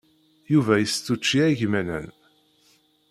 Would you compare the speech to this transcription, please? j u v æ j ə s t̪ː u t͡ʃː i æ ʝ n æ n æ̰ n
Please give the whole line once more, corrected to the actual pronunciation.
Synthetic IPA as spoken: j u v æ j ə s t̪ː u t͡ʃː i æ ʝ m æ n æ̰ n

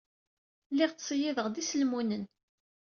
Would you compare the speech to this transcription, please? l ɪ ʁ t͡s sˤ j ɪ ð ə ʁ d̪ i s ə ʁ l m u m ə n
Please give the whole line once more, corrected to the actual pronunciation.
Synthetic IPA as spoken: l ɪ ʁ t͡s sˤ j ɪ ð ə ʁ d̪ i s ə l m u n ə n

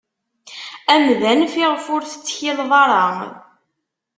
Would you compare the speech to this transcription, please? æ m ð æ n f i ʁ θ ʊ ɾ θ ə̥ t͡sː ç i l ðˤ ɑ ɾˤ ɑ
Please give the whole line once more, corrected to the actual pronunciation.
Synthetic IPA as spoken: æ m ð æ n f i ʁ f ʊ ɾ θ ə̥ t͡sː ç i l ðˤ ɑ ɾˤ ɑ

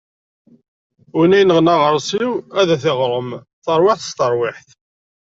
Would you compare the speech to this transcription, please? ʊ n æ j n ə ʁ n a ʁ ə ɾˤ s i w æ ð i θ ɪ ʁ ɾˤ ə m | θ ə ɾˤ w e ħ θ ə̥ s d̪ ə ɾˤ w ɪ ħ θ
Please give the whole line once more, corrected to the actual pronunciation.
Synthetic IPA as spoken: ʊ n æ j n ə ʁ n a ʁ ə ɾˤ s i w æ ð æ θ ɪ ʁ ɾˤ ə m | θ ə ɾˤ w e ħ θ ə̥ s t̪ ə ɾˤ w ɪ ħ θ

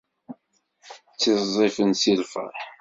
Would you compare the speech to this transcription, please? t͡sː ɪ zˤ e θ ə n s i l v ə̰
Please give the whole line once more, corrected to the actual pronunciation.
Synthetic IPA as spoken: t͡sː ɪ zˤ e f ə n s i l f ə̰

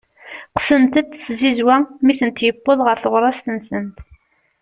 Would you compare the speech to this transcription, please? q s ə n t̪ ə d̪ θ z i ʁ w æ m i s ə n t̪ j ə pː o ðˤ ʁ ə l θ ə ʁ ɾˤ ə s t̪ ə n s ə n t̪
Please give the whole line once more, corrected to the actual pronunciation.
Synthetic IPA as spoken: q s ə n t̪ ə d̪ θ z i z w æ m i θ ə n t̪ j ə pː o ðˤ ʁ ə ɾ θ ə ʁ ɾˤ ɑ s t̪ ə n s ə n t̪

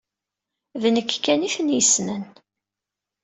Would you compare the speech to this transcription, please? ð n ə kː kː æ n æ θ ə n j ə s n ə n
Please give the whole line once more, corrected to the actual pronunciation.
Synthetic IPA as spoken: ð n ə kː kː æ n i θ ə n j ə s n ə n

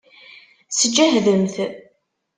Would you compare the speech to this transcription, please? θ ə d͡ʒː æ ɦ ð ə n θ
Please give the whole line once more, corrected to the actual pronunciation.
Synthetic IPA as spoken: s ə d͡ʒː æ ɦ ð ə m θ

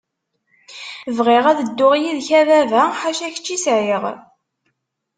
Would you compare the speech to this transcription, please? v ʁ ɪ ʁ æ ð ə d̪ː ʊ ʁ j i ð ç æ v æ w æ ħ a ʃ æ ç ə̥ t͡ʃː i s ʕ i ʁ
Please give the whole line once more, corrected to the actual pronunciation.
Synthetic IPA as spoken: v ʁ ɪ ʁ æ ð ə d̪ː ʊ ʁ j i ð ç æ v æ v æ ħ a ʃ æ ç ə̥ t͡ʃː i s ʕ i ʁ

